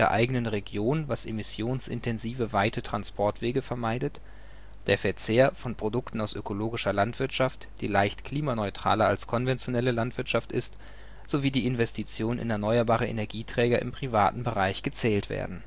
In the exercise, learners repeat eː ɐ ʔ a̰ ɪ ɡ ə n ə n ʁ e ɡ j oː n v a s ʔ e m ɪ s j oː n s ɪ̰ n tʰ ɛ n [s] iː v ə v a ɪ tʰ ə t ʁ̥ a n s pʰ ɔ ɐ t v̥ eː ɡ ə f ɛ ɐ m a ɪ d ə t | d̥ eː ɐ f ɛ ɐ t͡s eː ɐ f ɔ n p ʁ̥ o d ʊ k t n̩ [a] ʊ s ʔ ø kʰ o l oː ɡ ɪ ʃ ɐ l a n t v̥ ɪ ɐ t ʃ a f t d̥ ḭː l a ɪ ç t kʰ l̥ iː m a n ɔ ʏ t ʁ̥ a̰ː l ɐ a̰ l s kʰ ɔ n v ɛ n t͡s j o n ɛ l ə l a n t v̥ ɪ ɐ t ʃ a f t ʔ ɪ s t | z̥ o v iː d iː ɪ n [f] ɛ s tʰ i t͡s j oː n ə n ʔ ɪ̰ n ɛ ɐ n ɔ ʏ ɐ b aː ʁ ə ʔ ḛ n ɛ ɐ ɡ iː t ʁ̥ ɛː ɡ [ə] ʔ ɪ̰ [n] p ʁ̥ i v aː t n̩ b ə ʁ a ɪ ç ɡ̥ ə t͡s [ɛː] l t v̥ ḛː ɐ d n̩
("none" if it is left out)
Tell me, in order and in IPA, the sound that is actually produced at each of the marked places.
z, a, v, ɐ, m, ɛː

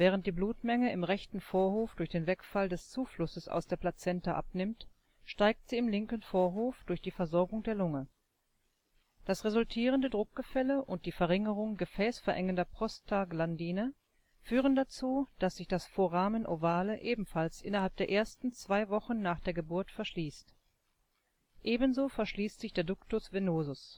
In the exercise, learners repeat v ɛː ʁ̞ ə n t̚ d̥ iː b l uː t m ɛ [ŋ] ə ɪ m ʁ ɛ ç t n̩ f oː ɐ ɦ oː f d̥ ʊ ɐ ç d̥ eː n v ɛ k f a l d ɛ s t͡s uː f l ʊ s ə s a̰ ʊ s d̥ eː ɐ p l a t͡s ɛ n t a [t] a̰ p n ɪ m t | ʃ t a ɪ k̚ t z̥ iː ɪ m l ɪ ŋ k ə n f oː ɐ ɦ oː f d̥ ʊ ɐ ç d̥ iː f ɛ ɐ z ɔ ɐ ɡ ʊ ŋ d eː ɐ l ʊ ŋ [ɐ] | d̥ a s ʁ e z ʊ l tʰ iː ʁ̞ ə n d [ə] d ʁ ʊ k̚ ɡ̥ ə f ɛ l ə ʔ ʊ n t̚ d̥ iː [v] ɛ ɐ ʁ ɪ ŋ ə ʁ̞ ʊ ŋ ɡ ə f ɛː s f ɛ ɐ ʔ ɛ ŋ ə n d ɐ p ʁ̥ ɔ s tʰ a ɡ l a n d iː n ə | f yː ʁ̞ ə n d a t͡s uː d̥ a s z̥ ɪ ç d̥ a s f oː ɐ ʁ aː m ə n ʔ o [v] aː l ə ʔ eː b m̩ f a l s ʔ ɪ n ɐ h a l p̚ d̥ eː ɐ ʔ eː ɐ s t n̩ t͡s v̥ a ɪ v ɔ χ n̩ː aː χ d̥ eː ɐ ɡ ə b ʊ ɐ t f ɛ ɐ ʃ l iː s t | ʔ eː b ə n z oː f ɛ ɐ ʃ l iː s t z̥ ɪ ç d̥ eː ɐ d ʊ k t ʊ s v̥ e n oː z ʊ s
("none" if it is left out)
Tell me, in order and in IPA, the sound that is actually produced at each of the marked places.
ŋ, ʔ, ə, ə, f, v

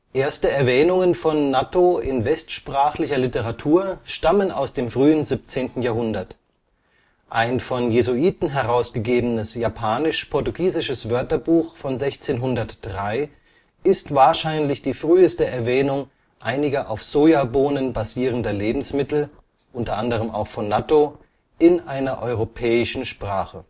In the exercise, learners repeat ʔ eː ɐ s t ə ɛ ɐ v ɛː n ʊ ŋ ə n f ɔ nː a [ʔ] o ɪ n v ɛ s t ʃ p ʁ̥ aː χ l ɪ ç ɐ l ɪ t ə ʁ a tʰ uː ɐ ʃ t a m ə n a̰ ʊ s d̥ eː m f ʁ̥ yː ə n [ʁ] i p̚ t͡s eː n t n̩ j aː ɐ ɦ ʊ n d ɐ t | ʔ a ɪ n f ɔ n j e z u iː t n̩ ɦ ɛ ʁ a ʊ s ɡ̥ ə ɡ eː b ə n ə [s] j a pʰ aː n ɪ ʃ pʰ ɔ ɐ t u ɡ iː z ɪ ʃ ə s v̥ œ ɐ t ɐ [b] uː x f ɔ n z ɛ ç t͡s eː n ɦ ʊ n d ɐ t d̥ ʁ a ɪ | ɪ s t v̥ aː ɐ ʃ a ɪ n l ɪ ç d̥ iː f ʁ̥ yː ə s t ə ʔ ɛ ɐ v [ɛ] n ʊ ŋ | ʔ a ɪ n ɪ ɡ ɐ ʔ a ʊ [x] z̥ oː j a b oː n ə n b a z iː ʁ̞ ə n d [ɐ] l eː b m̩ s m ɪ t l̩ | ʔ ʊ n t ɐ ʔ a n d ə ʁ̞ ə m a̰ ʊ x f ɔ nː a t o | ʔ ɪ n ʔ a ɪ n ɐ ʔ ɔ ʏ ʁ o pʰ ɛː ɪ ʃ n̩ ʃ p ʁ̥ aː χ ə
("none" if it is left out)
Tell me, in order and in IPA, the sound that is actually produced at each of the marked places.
t, z, s, b, ɛː, f, ɐ

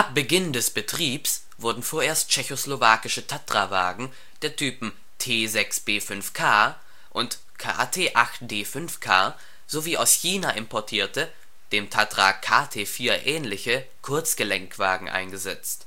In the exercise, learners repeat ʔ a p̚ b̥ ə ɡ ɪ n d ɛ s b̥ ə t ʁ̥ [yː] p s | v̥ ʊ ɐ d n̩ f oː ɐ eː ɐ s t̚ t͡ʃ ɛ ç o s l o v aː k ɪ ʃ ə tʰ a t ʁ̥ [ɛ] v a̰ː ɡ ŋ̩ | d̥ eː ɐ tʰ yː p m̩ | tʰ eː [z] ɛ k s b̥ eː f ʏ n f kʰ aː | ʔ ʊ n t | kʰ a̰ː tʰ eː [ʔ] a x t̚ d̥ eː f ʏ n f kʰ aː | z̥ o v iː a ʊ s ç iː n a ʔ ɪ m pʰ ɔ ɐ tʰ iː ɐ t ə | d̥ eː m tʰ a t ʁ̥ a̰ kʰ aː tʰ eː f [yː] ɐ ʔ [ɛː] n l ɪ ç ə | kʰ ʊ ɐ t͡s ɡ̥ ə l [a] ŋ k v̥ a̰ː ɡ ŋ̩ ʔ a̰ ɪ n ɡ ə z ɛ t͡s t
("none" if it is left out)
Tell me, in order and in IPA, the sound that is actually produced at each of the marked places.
iː, a, z, ʔ, iː, ɛː, ɛ

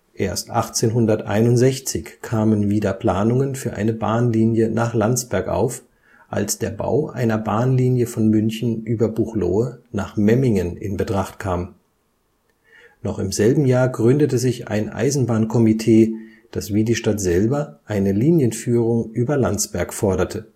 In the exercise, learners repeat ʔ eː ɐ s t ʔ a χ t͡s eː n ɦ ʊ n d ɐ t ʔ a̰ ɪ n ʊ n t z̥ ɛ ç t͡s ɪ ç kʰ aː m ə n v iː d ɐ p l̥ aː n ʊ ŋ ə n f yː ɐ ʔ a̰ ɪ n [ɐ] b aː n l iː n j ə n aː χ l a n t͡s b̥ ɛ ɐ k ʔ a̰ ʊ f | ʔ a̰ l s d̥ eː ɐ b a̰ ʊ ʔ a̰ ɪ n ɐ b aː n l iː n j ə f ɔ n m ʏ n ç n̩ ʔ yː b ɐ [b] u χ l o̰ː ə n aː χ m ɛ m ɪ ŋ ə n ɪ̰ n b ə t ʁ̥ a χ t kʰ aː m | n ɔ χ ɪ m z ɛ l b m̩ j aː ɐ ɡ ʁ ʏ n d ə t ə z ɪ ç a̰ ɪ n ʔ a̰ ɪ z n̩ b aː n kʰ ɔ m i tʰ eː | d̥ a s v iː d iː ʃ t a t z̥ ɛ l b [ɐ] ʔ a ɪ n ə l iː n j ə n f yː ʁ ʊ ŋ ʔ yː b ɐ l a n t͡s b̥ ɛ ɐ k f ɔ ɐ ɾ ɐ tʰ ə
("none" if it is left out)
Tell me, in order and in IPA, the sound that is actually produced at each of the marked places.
ə, b, ɐ

